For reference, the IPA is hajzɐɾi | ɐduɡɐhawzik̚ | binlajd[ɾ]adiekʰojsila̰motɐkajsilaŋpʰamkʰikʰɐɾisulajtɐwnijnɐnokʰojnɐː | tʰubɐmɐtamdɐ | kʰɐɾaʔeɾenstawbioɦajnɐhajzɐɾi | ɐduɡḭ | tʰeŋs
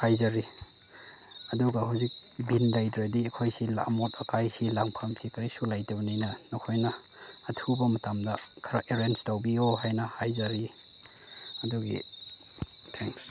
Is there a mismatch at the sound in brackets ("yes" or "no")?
no